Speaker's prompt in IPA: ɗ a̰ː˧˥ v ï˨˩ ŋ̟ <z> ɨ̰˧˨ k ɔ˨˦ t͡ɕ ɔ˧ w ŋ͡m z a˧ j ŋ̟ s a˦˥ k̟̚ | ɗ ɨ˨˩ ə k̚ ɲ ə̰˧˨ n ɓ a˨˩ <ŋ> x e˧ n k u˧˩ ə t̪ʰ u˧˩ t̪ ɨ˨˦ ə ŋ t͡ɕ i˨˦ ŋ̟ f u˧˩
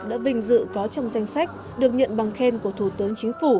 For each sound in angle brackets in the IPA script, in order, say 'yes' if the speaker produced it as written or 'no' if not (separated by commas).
yes, yes